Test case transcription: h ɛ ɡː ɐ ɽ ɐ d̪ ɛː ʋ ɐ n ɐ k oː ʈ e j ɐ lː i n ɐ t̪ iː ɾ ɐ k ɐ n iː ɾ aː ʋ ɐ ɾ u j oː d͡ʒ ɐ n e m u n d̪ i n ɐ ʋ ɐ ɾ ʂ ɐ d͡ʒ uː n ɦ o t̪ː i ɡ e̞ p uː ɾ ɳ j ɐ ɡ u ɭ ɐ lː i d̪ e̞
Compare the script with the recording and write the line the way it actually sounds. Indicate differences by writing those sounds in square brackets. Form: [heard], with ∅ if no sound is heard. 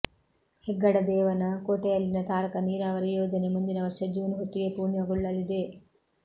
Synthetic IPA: h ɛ ɡː ɐ ɽ ɐ d̪ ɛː ʋ ɐ n ɐ k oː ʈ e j ɐ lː i n ɐ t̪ [aː] ɾ ɐ k ɐ n iː ɾ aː ʋ ɐ ɾ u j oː d͡ʒ ɐ n e m u n d̪ i n ɐ ʋ ɐ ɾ ʂ ɐ d͡ʒ uː n ɦ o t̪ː i ɡ e̞ p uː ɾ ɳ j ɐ ɡ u [ɭː] ɐ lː i d̪ e̞